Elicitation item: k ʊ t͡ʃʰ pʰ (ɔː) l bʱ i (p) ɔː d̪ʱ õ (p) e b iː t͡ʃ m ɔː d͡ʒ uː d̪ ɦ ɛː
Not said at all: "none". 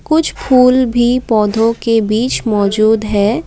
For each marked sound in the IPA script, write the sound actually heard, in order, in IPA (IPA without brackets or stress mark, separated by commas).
uː, p, k